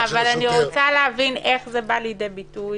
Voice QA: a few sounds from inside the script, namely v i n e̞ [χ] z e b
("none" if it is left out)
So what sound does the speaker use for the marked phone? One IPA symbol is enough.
χ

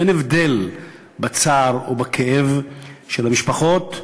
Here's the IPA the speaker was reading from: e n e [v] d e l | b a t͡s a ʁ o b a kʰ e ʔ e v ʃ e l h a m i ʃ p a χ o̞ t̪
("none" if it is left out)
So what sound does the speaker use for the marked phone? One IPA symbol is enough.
v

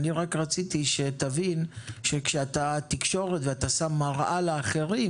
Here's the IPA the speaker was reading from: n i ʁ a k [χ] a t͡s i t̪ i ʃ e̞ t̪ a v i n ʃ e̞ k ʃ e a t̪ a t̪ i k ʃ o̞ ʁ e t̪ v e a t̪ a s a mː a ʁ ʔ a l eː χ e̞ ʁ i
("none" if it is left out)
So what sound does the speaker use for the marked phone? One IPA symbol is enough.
ʁ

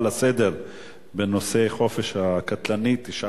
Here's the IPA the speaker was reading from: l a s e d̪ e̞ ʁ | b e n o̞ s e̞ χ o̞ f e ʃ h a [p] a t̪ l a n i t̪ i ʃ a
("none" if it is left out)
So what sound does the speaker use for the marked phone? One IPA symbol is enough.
k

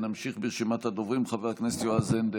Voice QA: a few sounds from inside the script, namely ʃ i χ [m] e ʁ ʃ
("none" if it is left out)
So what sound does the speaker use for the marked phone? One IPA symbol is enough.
b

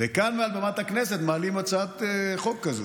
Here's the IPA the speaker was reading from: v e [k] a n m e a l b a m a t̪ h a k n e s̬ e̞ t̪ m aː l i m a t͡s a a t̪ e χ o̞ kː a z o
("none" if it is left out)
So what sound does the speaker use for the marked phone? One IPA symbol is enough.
k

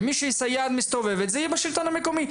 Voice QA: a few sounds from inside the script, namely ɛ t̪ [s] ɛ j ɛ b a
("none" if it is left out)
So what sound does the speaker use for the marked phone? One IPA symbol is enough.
z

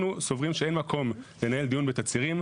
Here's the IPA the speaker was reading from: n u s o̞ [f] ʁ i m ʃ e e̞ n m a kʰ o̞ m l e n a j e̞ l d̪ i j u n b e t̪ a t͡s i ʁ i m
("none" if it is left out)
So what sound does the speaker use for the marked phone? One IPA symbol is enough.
v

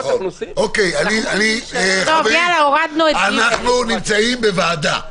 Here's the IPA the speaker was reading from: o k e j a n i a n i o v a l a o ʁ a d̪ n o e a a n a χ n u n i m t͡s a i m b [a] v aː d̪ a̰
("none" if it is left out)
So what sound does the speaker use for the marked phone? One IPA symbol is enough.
e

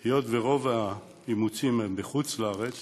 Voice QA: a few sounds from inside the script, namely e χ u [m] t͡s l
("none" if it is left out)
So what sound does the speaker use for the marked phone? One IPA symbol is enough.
none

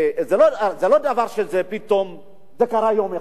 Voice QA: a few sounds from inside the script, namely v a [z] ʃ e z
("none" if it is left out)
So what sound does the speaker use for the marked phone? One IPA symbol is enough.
ʁ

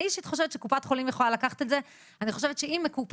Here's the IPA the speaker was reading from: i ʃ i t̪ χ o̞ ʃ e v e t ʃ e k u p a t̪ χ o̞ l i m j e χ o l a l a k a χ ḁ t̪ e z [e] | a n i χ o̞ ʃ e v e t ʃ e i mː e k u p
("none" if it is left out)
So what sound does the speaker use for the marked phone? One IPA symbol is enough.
e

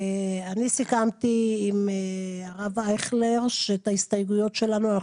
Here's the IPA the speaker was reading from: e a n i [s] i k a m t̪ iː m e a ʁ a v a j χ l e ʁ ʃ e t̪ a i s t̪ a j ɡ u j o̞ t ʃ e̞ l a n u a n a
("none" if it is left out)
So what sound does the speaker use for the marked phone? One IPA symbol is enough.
s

